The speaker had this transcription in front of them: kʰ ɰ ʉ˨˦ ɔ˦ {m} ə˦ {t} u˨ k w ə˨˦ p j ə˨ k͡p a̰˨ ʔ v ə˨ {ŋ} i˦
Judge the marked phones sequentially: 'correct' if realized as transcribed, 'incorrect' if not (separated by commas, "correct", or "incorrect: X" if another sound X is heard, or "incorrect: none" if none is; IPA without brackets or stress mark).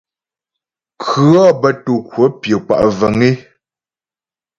incorrect: b, correct, correct